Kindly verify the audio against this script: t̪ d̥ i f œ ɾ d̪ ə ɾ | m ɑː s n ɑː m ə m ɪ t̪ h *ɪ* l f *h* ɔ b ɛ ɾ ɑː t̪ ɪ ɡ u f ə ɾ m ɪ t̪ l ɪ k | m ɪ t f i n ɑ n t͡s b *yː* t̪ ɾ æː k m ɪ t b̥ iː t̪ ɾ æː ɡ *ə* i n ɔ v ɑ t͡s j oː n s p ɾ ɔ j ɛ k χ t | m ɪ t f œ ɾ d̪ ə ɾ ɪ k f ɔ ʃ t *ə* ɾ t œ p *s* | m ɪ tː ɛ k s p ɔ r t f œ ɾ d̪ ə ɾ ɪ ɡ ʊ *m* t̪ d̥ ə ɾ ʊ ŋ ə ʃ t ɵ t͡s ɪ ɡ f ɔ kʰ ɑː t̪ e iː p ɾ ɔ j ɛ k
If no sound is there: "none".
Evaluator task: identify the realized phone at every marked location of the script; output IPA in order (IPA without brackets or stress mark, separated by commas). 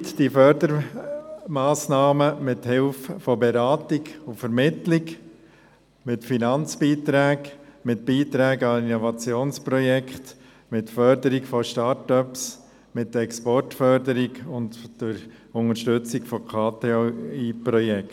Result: ɪ, f, iː, ɑ, ɑ, s, n